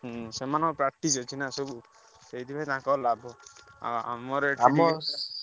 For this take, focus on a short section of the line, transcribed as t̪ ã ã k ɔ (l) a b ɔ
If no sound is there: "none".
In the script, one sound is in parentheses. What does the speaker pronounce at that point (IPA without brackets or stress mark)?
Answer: l